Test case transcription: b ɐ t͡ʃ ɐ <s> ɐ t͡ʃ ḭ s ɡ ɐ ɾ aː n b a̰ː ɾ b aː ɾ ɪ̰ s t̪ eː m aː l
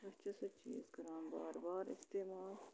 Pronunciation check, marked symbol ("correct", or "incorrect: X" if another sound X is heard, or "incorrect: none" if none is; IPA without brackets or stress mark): correct